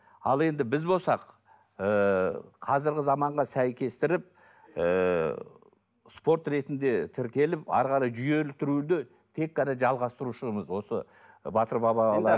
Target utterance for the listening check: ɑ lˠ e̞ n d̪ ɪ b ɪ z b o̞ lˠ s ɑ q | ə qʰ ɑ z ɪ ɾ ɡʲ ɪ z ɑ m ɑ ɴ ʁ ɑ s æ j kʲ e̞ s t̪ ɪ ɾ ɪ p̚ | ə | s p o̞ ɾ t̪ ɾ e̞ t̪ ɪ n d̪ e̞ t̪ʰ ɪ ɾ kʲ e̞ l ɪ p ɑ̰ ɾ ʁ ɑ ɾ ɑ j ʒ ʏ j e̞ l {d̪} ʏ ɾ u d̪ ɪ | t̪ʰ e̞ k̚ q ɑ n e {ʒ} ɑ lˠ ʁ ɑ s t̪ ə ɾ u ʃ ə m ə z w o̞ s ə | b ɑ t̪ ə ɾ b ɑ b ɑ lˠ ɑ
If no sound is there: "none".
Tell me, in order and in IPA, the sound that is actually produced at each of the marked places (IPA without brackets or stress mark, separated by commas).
t̪, ʒ